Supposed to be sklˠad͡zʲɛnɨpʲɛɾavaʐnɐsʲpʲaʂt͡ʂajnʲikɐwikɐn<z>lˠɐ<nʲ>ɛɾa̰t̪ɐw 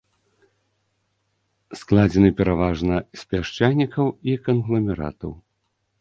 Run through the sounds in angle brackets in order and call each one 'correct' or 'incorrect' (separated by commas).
incorrect, incorrect